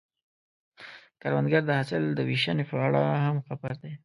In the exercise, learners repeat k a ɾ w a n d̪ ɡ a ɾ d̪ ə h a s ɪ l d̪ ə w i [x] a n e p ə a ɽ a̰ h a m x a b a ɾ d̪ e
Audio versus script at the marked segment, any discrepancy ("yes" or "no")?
yes